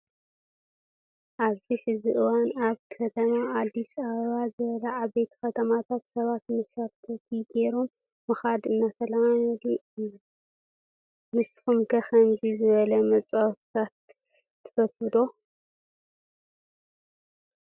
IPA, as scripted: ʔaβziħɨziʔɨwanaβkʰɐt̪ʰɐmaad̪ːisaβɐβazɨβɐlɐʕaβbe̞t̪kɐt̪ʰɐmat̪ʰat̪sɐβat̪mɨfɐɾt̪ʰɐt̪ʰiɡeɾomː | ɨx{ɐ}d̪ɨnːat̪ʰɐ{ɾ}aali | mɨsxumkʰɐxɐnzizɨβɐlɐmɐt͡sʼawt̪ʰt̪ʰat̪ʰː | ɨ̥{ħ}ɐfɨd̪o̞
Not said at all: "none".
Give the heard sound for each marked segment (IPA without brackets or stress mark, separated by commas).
a, l, f